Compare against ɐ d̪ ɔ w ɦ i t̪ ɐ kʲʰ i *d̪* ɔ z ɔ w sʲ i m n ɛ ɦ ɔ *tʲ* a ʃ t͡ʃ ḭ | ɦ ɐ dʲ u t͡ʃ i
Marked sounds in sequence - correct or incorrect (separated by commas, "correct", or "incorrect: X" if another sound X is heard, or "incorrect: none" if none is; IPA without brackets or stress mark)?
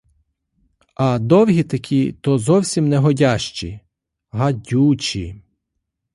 incorrect: t̪, incorrect: dʲ